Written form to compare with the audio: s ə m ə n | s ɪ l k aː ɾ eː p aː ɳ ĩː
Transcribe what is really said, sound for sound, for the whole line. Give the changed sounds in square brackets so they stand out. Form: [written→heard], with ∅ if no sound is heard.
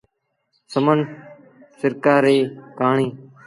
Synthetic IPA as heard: s ə m ə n | s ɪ [l→ɾ] k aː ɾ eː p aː ɳ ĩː